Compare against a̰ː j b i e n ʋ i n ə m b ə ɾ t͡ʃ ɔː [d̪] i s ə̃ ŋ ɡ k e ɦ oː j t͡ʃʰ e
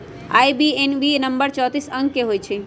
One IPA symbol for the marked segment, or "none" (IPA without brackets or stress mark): t̪